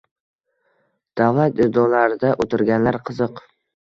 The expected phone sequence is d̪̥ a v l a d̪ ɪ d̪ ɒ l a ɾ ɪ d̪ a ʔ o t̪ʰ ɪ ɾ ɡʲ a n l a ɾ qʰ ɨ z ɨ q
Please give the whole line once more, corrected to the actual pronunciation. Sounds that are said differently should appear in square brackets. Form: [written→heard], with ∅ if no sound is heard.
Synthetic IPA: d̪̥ a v l a [d̪→t̪] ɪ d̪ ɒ l a ɾ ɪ d̪ a ʔ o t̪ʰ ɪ ɾ ɡʲ a n l a ɾ qʰ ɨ z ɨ q